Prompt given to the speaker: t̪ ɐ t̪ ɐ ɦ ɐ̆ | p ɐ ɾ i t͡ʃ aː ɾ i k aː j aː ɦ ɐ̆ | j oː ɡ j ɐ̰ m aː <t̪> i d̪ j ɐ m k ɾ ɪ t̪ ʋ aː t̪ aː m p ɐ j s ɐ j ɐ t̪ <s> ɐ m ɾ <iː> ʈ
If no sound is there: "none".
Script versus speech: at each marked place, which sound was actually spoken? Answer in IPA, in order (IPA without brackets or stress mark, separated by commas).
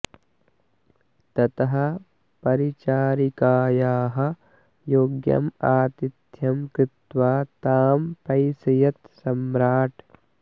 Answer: t̪, s, aː